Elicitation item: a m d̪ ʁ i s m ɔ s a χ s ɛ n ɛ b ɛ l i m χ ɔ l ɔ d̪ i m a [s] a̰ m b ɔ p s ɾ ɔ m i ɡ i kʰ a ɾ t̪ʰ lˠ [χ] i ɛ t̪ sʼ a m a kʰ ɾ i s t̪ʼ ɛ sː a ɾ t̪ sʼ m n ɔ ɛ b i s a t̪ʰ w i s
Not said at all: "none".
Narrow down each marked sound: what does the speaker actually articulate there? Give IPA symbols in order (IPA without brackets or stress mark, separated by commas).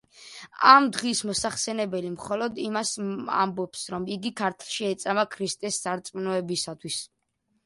s, ʃ